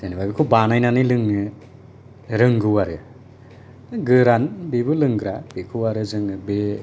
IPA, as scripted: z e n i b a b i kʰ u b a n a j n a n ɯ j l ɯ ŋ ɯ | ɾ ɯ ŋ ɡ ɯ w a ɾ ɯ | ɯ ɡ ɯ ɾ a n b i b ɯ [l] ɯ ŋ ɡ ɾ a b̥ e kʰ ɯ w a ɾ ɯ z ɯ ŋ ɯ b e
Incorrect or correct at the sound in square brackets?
correct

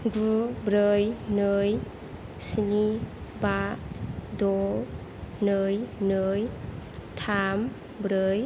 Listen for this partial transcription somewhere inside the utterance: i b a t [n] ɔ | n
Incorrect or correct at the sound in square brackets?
incorrect: d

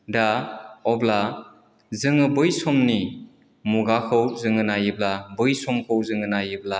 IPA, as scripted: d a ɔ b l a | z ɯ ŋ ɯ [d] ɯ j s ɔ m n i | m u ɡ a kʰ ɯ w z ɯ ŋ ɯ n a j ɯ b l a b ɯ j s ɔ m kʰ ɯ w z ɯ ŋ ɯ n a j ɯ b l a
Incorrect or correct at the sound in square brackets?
incorrect: b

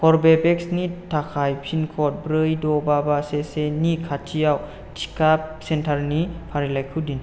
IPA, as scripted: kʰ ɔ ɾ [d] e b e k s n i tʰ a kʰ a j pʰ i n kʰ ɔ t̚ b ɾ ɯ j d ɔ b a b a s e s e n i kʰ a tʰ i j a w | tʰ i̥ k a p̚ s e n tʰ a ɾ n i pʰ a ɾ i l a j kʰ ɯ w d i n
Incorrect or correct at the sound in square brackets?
incorrect: b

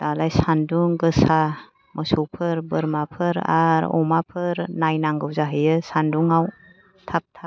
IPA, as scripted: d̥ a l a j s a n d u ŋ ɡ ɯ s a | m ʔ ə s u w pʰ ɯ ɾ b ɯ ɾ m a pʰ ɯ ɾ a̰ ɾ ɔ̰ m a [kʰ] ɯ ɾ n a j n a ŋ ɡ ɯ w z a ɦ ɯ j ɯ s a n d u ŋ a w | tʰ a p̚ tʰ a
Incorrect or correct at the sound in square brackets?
incorrect: pʰ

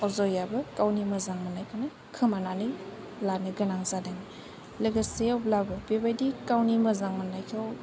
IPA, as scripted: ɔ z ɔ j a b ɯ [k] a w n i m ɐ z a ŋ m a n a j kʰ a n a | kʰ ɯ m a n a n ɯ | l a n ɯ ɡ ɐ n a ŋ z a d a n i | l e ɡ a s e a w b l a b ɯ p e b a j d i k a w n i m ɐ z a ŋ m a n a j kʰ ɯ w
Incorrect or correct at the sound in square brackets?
correct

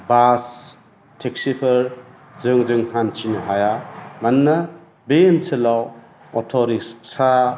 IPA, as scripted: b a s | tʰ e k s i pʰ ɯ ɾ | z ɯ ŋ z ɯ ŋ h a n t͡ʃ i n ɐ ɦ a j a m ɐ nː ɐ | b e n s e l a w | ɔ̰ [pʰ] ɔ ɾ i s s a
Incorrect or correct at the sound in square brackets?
incorrect: tʰ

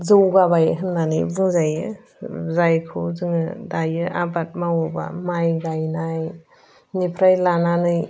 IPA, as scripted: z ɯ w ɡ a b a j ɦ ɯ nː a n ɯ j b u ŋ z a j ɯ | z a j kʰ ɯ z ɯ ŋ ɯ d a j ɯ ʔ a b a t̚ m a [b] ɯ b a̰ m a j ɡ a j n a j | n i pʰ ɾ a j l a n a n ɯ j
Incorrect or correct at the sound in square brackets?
incorrect: w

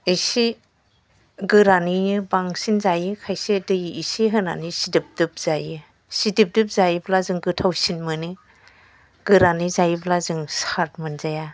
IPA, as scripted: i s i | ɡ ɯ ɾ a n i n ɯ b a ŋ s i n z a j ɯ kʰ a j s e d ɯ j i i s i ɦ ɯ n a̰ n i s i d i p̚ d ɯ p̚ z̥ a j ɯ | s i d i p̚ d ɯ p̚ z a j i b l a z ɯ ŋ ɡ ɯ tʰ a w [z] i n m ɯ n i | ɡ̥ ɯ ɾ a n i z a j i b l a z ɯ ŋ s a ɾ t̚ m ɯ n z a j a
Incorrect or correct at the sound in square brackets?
incorrect: s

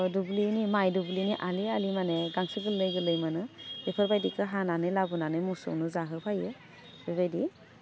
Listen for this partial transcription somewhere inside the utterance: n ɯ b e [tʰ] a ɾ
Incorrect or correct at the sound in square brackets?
incorrect: pʰ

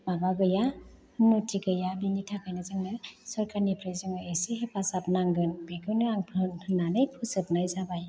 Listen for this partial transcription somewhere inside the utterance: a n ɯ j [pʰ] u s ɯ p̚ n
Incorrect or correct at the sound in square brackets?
correct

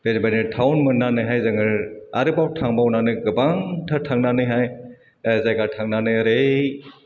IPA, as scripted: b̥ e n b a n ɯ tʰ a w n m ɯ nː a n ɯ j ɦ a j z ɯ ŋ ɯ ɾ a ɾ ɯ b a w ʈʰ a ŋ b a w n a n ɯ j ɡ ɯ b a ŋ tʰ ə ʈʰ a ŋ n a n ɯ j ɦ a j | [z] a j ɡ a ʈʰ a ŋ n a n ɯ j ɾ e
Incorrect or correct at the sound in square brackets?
correct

